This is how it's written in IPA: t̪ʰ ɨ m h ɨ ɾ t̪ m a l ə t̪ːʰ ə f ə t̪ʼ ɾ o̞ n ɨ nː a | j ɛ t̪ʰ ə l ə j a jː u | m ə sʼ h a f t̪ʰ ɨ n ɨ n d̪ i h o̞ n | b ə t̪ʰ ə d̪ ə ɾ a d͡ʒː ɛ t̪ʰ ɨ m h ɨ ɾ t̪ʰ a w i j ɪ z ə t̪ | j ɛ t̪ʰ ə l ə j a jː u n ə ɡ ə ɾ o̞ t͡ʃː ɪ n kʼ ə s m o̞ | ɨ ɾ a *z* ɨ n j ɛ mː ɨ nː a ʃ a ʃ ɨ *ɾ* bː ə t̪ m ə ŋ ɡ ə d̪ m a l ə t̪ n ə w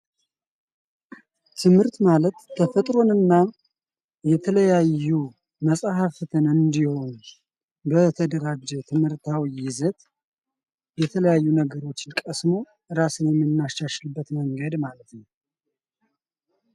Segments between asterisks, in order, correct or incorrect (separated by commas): incorrect, incorrect